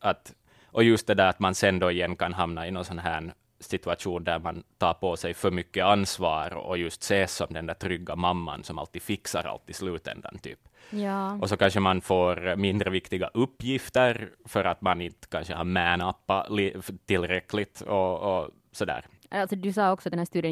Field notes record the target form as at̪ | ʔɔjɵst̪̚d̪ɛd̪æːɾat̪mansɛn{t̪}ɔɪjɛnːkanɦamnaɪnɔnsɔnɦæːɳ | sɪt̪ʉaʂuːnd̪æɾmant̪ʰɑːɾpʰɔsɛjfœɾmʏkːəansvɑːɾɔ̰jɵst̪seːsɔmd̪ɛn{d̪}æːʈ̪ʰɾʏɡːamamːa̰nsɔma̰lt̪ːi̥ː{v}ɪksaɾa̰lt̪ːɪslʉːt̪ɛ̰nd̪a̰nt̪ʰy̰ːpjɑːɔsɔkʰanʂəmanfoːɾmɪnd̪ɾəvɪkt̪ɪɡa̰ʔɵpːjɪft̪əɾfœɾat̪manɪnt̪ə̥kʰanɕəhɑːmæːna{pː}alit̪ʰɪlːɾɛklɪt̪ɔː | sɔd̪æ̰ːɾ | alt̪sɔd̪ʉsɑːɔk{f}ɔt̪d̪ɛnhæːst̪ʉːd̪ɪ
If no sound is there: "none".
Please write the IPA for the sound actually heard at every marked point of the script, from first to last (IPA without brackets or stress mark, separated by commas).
d̪, d̪, f, pː, s